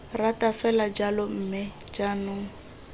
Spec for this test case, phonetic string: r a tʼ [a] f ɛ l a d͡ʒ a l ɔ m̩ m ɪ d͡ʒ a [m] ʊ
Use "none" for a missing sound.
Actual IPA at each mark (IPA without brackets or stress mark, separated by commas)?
a, n